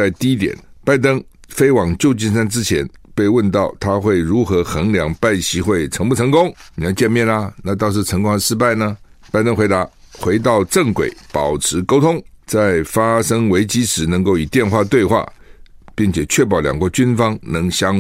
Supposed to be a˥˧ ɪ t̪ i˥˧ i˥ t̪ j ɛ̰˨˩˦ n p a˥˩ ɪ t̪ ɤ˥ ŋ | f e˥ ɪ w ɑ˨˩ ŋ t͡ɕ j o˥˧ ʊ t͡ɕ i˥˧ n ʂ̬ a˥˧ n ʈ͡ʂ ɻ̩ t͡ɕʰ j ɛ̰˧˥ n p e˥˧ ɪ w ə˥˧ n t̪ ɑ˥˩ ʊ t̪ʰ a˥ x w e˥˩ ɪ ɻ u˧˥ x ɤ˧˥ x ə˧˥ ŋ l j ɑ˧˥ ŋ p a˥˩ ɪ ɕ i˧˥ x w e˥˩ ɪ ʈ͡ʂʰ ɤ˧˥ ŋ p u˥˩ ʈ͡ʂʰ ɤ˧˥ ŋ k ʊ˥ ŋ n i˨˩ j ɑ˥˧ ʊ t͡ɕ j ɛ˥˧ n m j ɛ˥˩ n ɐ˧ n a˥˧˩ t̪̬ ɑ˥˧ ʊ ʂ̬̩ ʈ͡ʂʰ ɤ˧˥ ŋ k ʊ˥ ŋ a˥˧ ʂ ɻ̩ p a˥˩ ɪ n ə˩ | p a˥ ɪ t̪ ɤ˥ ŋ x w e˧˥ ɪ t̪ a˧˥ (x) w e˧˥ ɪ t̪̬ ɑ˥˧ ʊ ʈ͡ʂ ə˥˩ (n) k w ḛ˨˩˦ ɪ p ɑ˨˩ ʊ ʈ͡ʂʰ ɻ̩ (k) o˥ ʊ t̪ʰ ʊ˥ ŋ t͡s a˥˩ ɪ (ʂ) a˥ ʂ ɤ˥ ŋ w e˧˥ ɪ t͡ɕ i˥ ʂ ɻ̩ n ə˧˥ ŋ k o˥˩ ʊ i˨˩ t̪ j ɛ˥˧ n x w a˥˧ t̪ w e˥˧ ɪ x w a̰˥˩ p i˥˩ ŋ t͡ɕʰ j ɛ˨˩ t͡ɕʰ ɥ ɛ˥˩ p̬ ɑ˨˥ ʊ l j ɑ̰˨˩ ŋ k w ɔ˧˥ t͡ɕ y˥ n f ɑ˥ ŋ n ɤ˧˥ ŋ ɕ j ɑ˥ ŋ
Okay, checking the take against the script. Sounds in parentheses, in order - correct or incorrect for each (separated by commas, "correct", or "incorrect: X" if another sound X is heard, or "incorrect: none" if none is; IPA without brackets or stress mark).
correct, incorrect: ŋ, correct, incorrect: f